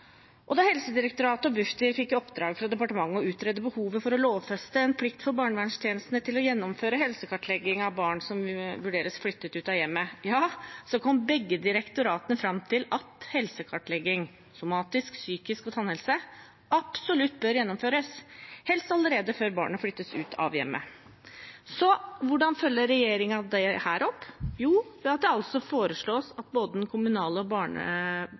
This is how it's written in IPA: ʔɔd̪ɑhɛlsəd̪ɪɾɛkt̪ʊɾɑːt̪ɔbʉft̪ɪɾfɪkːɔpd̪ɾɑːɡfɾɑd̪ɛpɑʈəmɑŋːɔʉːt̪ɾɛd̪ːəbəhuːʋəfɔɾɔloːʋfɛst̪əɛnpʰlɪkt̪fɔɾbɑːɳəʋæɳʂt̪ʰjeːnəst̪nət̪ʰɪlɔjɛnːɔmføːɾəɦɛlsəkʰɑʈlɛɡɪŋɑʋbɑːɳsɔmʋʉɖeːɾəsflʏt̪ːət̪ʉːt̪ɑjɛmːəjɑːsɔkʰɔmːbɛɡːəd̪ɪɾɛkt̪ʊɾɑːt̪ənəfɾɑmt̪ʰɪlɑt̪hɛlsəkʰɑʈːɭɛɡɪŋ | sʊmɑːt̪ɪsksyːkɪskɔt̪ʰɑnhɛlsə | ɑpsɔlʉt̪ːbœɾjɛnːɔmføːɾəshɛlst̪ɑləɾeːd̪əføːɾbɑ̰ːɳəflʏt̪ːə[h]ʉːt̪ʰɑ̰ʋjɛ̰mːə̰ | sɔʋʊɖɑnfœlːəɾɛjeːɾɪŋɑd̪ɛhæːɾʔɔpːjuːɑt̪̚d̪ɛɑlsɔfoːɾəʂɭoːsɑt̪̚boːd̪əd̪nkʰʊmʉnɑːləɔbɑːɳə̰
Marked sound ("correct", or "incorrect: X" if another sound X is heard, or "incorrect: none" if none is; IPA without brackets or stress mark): incorrect: s